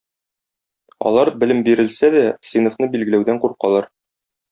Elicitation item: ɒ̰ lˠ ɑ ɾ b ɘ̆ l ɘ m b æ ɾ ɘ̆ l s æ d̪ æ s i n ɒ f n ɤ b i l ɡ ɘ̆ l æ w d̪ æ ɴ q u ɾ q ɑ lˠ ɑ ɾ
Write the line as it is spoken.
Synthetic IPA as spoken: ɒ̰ lˠ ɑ ɾ b ɘ̆ l ɘ m b i ɾ ɘ̆ l s æ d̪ æ s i n o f n ɤ b i l ɡ ɘ̆ l æ w d̪ æ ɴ q u ɾ q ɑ lˠ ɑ ɾ